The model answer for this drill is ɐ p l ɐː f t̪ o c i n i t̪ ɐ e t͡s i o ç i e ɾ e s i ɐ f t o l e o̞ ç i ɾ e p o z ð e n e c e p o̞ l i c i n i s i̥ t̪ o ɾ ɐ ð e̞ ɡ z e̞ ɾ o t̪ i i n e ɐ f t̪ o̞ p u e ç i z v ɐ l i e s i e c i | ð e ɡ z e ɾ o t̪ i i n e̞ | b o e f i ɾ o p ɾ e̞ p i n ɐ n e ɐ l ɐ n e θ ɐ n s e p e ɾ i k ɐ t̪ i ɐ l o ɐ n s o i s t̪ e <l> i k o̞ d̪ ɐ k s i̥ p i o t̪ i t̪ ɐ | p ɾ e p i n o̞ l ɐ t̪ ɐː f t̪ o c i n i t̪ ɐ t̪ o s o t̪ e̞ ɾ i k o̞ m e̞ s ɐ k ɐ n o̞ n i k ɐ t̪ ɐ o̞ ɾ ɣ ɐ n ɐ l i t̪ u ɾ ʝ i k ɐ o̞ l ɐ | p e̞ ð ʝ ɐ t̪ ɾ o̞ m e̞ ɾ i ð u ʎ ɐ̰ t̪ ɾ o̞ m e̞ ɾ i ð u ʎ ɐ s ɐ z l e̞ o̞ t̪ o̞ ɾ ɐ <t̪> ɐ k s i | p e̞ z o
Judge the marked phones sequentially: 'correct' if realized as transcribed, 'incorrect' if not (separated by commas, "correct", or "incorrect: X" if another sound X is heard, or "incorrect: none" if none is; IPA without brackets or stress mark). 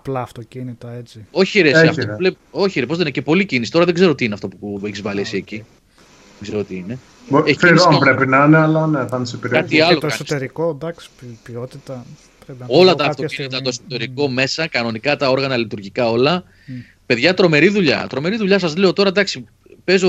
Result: incorrect: ɾ, incorrect: d̪